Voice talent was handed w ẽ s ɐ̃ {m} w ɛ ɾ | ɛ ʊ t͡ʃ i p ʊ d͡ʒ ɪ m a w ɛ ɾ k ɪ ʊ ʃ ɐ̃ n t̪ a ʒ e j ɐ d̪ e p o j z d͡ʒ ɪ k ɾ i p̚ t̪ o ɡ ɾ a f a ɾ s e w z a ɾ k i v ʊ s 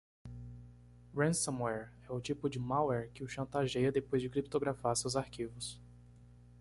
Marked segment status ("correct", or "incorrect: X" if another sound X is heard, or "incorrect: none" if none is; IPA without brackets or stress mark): correct